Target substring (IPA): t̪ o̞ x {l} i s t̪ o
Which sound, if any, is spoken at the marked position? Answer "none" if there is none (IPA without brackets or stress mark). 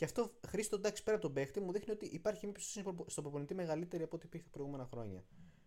ɾ